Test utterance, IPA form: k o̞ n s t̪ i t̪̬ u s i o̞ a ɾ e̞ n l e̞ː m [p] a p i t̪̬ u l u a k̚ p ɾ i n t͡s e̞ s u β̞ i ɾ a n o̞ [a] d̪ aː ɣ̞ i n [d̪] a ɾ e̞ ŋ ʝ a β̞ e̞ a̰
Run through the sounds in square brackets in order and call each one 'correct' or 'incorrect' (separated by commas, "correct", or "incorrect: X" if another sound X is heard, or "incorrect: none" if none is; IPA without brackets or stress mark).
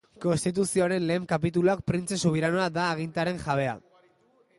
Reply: incorrect: k, correct, incorrect: t̪